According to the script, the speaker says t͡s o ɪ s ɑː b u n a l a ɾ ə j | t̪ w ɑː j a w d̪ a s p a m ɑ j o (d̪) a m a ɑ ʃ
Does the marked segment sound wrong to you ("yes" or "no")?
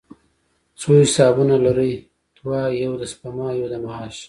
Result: no